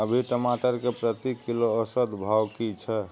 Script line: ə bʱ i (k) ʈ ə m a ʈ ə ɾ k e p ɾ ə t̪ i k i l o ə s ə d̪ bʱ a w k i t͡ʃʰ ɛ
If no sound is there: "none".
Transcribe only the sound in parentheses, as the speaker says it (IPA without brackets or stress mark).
none